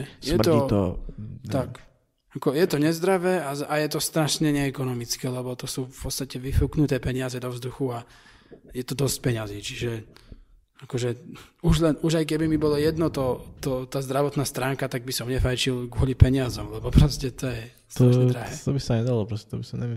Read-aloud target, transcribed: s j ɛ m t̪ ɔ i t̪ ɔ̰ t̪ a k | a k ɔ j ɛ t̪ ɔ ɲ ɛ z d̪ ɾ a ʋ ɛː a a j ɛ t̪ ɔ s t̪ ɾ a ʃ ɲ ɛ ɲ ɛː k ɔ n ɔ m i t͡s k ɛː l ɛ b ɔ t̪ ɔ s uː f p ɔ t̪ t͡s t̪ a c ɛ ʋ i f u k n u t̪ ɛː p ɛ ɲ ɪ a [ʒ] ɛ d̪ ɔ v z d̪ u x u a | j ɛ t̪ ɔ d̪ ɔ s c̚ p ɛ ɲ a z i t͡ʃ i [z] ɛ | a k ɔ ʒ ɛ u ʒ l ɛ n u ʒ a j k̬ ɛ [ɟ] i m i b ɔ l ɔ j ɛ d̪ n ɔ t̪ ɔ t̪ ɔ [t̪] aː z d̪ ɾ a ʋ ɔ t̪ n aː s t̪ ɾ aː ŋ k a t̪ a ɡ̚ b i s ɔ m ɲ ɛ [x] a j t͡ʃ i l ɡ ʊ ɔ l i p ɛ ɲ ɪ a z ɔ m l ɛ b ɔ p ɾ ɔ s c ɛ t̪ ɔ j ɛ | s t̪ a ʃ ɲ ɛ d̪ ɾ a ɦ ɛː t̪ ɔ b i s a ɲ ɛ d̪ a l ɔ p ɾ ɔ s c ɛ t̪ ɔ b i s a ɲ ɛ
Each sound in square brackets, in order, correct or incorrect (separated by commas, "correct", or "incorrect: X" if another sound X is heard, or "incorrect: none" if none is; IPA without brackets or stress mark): incorrect: z, incorrect: ʒ, incorrect: b, correct, incorrect: f